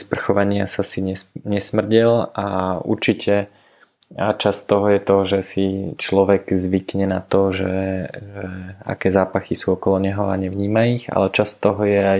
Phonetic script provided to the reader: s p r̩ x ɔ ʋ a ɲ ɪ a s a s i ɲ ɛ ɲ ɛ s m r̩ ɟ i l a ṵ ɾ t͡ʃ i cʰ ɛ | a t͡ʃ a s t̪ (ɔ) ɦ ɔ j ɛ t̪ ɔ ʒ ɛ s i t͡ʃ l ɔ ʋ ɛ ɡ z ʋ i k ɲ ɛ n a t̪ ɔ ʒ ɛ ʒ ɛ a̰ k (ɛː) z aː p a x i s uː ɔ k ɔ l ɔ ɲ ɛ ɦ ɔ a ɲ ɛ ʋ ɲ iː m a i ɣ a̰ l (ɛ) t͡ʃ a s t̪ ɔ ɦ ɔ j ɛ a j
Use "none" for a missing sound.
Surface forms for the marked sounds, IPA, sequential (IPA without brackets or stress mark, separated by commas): ɔ, ɛː, ɛ